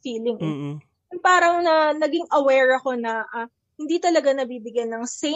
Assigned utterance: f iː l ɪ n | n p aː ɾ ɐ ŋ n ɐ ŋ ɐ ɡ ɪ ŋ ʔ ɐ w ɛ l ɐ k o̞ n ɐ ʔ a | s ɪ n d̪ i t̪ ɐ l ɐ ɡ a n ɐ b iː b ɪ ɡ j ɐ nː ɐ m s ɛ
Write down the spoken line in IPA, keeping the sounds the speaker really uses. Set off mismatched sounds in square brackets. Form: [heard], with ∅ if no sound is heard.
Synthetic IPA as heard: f iː l ɪ [ŋ] | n p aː ɾ ɐ ŋ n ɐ [n] ɐ ɡ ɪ ŋ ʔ ɐ w ɛ [ɹ] ɐ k o̞ n ɐ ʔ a | [h] ɪ n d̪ i t̪ ɐ l ɐ ɡ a n ɐ b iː b ɪ ɡ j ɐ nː ɐ [ŋ] s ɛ